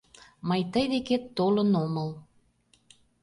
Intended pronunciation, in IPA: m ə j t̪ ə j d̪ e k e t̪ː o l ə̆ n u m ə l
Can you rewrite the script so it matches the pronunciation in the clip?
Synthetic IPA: m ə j t̪ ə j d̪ e k e t̪ː o l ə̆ n o m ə l